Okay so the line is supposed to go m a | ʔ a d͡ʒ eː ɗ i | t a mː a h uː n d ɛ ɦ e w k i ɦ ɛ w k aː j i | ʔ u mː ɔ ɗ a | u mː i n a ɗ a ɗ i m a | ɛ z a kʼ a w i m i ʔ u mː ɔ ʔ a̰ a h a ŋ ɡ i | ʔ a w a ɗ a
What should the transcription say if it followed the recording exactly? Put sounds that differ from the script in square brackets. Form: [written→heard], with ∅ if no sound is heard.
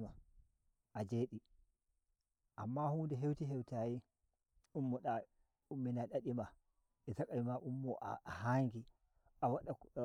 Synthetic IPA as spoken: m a | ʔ a d͡ʒ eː ɗ i | [t→ʔ] a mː a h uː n d ɛ ɦ e w [k→t] i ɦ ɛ w [k→t] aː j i | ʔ u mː ɔ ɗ a | u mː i n a ɗ a ɗ i m a | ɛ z a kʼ a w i m [i→a] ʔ u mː ɔ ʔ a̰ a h a ŋ ɡ i | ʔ a w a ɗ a

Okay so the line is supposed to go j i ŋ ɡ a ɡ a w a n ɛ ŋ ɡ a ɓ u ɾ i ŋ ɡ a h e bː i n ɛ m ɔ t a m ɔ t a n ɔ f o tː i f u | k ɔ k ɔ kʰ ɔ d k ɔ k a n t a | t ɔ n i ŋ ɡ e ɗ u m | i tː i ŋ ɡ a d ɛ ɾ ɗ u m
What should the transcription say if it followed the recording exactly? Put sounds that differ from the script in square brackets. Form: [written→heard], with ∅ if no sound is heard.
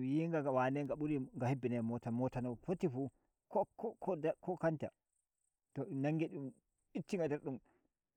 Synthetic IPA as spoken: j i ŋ ɡ a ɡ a w a n ɛ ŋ ɡ a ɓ u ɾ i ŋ ɡ a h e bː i n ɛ m ɔ t a m ɔ t a n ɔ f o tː i f u | k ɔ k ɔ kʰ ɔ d k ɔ k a n t a | t ɔ n [i→a] ŋ ɡ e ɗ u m | i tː i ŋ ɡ a d ɛ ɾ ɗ u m

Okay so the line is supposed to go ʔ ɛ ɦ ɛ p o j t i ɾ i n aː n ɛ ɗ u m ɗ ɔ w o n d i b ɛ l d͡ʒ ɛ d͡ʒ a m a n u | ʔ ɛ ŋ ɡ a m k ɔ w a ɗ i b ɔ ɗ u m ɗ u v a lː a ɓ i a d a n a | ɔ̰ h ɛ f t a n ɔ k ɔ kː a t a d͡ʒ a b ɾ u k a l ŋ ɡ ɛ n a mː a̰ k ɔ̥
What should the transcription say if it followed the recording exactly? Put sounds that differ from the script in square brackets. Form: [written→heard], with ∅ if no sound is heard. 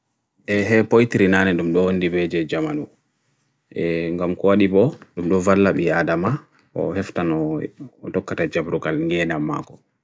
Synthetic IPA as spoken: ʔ ɛ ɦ ɛ p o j t i ɾ i n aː n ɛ ɗ u m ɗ ɔ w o n d i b ɛ [l→∅] d͡ʒ ɛ d͡ʒ a m a n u | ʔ ɛ ŋ ɡ a m k ɔ w a ɗ i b ɔ ɗ u m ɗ [u→ɔ] v a lː a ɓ i a d a [n→m] a | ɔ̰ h ɛ f t a n ɔ [k→t] ɔ kː a t a d͡ʒ a b ɾ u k a l ŋ ɡ ɛ n a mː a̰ k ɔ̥

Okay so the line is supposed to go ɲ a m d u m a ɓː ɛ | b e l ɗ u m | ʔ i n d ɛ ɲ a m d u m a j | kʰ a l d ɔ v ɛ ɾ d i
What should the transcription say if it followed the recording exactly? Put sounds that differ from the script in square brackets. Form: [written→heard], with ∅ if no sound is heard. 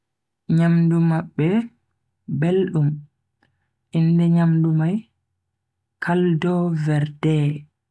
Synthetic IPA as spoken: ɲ a m d u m a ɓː ɛ | b e l ɗ u m | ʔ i n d ɛ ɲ a m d u m a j | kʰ a l d ɔ v ɛ ɾ d [i→ɛ]

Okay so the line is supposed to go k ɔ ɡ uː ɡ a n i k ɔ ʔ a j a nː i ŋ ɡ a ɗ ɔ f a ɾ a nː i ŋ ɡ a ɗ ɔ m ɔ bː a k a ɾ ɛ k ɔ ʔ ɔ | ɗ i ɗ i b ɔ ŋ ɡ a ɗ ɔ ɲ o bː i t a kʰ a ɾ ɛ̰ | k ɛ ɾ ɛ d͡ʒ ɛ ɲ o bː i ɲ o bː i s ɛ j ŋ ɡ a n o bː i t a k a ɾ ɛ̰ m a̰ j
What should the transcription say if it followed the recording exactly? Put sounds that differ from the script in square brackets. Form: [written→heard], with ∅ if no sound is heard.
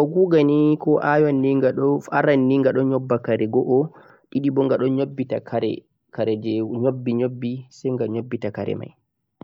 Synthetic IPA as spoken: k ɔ ɡ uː ɡ a n i k ɔ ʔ a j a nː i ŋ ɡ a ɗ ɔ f a ɾ a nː i ŋ ɡ a ɗ ɔ [m→ɲ] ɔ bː a k a ɾ ɛ [k→ɡ] ɔ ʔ ɔ | ɗ i ɗ i b ɔ ŋ ɡ a ɗ ɔ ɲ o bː i t a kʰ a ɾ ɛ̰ | k [ɛ→a] ɾ ɛ d͡ʒ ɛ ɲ o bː i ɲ o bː i s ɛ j ŋ ɡ a [n→ɲ] o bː i t a k a ɾ ɛ̰ m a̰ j

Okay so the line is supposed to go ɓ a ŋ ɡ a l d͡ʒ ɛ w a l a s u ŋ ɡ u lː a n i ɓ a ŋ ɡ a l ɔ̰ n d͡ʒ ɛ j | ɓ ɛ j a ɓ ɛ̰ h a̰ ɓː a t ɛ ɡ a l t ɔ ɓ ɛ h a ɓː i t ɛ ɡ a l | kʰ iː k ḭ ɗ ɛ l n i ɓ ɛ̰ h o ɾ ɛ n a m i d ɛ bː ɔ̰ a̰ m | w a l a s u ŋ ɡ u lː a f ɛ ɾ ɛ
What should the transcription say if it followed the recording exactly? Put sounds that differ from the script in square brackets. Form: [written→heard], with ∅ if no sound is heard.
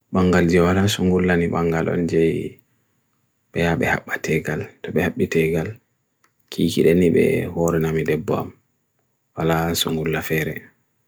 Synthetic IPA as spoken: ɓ a ŋ ɡ a l d͡ʒ ɛ w a l a s u ŋ ɡ u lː a n i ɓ a ŋ ɡ a l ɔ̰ n d͡ʒ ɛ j | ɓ ɛ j a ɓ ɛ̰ h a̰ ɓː a t ɛ ɡ a l t ɔ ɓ ɛ h a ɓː i t ɛ ɡ a l | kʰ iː k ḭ ɗ ɛ [l→∅] n i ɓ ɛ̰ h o ɾ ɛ n a m i d ɛ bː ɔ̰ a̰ m | w a l a s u ŋ ɡ u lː a f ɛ ɾ ɛ

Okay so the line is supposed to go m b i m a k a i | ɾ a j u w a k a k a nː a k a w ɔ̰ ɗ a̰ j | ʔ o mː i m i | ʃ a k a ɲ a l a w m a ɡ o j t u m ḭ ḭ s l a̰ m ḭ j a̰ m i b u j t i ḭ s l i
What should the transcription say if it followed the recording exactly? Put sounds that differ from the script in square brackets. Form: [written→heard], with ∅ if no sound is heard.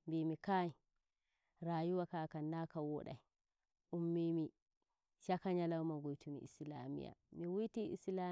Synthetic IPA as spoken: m b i m [a→i] k a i | ɾ a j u w a k a k a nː a k a w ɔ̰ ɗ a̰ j | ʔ [o→u] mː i m i | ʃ a k a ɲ a l a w m a ɡ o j t u m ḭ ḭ s l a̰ m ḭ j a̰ m i [b→w] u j t i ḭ s l [i→a]

